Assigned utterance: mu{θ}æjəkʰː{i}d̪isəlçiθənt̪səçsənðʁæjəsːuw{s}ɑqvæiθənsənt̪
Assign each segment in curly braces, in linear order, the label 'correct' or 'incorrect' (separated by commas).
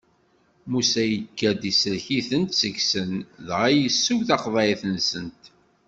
incorrect, incorrect, incorrect